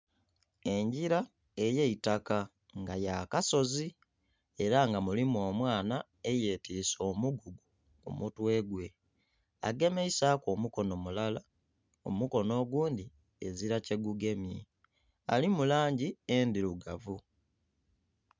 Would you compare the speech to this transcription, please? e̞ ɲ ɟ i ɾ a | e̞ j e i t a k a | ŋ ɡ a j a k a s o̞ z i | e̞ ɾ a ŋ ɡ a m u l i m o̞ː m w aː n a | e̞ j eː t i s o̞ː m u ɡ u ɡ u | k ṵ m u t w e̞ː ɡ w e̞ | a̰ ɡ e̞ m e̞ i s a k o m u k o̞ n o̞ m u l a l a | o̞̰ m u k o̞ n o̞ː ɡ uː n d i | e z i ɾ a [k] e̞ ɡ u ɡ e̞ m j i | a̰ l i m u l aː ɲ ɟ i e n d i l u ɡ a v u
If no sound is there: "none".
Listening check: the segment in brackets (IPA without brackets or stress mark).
c